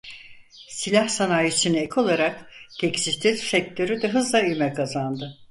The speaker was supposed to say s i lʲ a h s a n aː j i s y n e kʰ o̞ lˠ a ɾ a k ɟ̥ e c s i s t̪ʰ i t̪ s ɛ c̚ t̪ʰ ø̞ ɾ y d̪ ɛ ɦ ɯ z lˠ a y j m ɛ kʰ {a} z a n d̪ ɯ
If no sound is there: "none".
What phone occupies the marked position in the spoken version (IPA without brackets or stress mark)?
a